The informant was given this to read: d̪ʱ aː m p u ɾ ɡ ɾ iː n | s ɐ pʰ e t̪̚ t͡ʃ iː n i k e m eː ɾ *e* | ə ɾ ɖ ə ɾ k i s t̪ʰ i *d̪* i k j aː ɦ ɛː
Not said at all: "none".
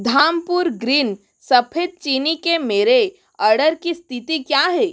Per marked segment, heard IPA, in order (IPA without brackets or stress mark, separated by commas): e, t̪